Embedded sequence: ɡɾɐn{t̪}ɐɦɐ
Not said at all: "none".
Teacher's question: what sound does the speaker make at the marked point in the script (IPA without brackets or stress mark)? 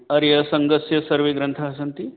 t̪ʰ